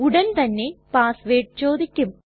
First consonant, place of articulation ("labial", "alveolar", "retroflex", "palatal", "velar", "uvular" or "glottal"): retroflex